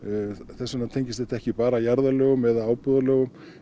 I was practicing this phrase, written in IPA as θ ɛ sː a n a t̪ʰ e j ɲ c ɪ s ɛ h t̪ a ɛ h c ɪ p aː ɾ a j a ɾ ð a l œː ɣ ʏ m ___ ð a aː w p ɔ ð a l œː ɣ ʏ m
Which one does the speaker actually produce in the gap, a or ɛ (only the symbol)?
ɛ